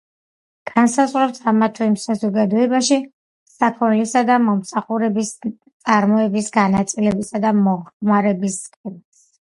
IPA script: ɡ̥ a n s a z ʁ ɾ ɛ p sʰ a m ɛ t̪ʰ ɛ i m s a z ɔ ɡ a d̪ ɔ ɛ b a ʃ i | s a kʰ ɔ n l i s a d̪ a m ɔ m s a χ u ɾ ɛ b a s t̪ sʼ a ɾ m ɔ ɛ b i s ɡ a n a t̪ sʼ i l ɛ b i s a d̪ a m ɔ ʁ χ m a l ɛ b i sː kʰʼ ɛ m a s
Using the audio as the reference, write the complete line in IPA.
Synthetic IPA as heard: ɡ̥ a n s a z ʁ ɾ ɛ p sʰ a m a t̪ʰ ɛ i m s a z ɔ ɡ a d̪ ɔ ɛ b a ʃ i | s a kʰ ɔ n l i s a d̪ a m ɔ m s a χ u ɾ ɛ b i s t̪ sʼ a ɾ m ɔ ɛ b i s ɡ a n a t̪ sʼ i l ɛ b i s a d̪ a m ɔ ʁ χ m a ɾ ɛ b i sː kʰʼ ɛ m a s

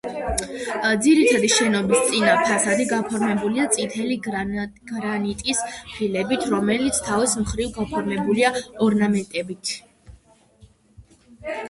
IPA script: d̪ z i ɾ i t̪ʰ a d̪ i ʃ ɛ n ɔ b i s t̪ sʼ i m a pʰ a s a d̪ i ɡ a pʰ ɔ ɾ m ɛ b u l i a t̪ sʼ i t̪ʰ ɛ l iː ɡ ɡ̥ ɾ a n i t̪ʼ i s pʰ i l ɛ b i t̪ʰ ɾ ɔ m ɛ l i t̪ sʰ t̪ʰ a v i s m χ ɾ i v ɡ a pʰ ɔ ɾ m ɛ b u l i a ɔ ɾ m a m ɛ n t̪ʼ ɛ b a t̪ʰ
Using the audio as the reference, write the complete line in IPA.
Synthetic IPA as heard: d̪ z i ɾ i t̪ʰ a d̪ i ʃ ɛ n ɔ b i s t̪ sʼ i n a pʰ a s a d̪ i ɡ a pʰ ɔ ɾ m ɛ b u l i a t̪ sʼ i t̪ʰ ɛ l i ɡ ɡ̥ ɾ a n i t̪ʼ i s pʰ i l ɛ b i t̪ʰ ɾ ɔ m ɛ l i t̪ sʰ t̪ʰ a v i s m χ ɾ i v ɡ a pʰ ɔ ɾ m ɛ b u l i a ɔ ɾ n a m ɛ n t̪ʼ ɛ b i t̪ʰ

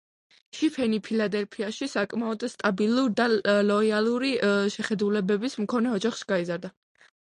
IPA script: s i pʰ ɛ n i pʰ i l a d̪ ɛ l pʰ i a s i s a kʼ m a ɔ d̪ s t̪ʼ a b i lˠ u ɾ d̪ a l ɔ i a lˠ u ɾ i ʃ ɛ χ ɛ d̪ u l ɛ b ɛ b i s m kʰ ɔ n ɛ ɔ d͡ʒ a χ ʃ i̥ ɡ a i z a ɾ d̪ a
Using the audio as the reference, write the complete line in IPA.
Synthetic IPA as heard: ʃ i pʰ ɛ n i pʰ i l a d̪ ɛ l pʰ i a ʃ i s a kʼ m a ɔ d̪ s t̪ʼ a b i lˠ u ɾ d̪ a l ɔ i a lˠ u ɾ i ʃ ɛ χ ɛ d̪ u l ɛ b ɛ b i s m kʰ ɔ n ɛ ɔ d͡ʒ a χ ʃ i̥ ɡ a i z a ɾ d̪ a

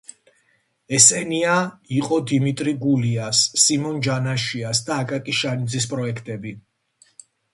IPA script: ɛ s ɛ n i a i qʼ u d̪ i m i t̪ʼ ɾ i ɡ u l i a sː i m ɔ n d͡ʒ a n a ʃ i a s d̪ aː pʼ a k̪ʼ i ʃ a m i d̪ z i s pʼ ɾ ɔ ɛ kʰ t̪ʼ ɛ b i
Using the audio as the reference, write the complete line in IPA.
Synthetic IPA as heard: ɛ s ɛ n i a i qʼ ɔ d̪ i m i t̪ʼ ɾ i ɡ u l i a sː i m ɔ n d͡ʒ a n a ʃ i a s d̪ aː kʼ a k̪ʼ i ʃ a n i d̪ z i s pʼ ɾ ɔ ɛ kʰ t̪ʼ ɛ b i

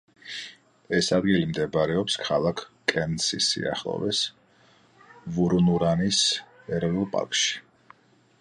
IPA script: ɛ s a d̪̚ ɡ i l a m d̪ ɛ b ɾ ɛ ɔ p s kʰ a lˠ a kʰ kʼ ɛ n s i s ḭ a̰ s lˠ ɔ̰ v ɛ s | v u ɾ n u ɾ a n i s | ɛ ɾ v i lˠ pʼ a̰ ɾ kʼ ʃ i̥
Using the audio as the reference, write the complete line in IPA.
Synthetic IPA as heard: ɛ s a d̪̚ ɡ i l i m d̪ ɛ b ɾ ɛ ɔ p s kʰ a lˠ a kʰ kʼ ɛ n s i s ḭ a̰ χ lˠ ɔ̰ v ɛ s | v u ɾ n u ɾ a n i s | ɛ ɾ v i lˠ pʼ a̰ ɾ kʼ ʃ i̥

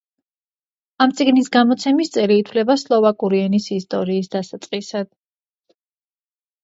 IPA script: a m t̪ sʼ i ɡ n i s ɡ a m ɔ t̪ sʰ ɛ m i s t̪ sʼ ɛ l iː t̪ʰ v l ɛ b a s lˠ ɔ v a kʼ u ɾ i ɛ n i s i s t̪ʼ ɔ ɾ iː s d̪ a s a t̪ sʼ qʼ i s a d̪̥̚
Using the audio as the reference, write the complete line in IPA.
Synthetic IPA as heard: a m t̪ sʼ i ɡ n i s ɡ a m ɔ t̪ sʰ ɛ m i s t̪ sʼ ɛ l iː t̪ʰ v l ɛ b a s lˠ ɔ v a kʼ u ɾ i ɛ n i s i s t̪ʼ ɔ ɾ iː s d̪ a s a t̪ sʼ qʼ i s a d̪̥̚

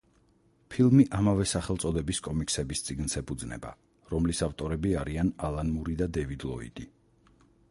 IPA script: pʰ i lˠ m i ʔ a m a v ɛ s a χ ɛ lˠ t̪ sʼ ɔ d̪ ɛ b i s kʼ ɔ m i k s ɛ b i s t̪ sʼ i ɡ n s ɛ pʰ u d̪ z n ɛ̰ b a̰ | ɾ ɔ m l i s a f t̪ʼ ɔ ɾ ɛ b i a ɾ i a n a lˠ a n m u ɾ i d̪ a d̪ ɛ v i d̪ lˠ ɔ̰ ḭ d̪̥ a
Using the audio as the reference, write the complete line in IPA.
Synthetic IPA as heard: pʰ i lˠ m i ʔ a m a v ɛ s a χ ɛ lˠ t̪ sʼ ɔ d̪ ɛ b i s kʼ ɔ m i k s ɛ b i s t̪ sʼ i ɡ n s ɛ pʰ u d̪ z n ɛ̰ b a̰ | ɾ ɔ m l i s a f t̪ʼ ɔ ɾ ɛ b i a ɾ i a n a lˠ a n m u ɾ i d̪ a d̪ ɛ v i d̪ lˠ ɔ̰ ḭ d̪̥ i

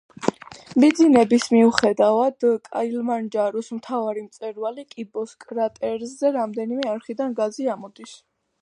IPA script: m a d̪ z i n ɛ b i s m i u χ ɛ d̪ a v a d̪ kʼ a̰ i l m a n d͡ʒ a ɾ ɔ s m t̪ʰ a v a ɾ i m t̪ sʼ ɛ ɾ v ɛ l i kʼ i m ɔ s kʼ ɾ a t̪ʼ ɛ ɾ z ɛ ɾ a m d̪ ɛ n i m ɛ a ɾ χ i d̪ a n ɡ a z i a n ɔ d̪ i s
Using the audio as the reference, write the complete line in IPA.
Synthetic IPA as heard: m i d̪ z i n ɛ b i s m i u χ ɛ d̪ a v a d̪ kʼ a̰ i l m a n d͡ʒ a ɾ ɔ s m t̪ʰ a v a ɾ i m t̪ sʼ ɛ ɾ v a l i kʼ i b ɔ s kʼ ɾ a t̪ʼ ɛ ɾ z ɛ ɾ a m d̪ ɛ n i m ɛ a ɾ χ i d̪ a n ɡ a z i a m ɔ d̪ i s

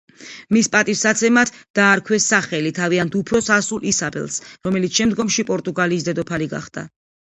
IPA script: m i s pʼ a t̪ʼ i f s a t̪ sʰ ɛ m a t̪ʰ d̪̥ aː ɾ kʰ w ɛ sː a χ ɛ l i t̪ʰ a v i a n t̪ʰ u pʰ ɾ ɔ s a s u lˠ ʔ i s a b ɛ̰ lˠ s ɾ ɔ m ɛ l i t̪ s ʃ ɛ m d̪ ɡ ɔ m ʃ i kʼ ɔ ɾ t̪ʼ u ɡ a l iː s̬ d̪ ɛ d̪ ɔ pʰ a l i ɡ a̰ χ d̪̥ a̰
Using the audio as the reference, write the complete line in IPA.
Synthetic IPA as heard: m i s pʼ a t̪ʼ i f s a t̪ sʰ ɛ m a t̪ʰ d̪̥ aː ɾ kʰ w ɛ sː a χ ɛ l i t̪ʰ a v i a n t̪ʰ u pʰ ɾ ɔ s a s u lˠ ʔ i s a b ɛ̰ lˠ s ɾ ɔ m ɛ l i t̪ s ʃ ɛ m d̪ ɡ ɔ m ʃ i pʼ ɔ ɾ t̪ʼ u ɡ a l iː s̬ d̪ ɛ d̪ ɔ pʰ a l i ɡ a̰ χ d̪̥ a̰

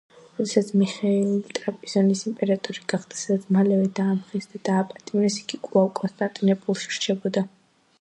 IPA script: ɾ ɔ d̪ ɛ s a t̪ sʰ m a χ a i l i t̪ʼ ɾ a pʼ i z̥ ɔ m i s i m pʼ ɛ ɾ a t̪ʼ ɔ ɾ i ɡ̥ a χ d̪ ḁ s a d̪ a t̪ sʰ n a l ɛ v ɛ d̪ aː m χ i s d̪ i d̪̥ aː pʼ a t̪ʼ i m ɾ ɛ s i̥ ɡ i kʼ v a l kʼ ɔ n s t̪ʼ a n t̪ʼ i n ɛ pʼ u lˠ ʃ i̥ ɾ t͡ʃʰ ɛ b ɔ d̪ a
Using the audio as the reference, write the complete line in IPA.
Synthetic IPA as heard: ɾ ɔ d̪ ɛ s a t̪ sʰ m i χ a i l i t̪ʼ ɾ a pʼ i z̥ ɔ n i s i m pʼ ɛ ɾ a t̪ʼ ɔ ɾ i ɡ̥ a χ d̪ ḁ s a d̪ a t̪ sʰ m a l ɛ v ɛ d̪ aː m χ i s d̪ a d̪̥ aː pʼ a t̪ʼ i m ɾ ɛ s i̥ ɡ i kʼ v a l kʼ ɔ n s t̪ʼ a n t̪ʼ i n ɛ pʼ u lˠ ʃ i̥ ɾ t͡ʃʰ ɛ b ɔ d̪ a

